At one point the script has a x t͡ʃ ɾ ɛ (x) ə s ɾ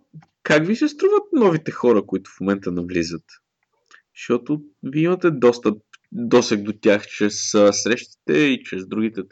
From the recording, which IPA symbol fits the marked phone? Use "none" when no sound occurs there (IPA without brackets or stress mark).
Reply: s